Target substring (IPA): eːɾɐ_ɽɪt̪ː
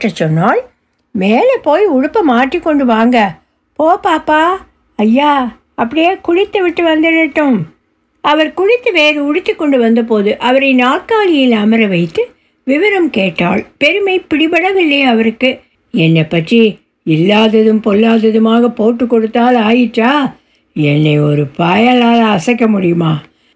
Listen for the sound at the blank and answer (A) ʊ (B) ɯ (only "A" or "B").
A